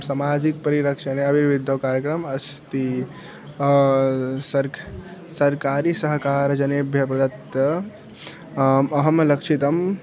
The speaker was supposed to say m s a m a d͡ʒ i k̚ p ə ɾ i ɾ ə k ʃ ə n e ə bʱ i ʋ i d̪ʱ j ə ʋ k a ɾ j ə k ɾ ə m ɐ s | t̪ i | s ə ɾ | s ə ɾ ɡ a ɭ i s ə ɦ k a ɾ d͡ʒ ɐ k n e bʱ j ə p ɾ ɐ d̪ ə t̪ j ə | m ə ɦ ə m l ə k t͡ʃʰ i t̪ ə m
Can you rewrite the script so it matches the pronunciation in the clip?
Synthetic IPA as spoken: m s a m a d͡ʒ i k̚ p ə ɾ i ɾ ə k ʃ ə n e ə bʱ i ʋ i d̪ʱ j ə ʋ k a ɾ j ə k ɾ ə m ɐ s | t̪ i | s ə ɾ | s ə ɾ k a ɾ i s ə ɦ k a ɾ d͡ʒ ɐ n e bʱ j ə p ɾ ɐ d̪ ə t̪ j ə | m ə ɦ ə m l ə k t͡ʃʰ i t̪ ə m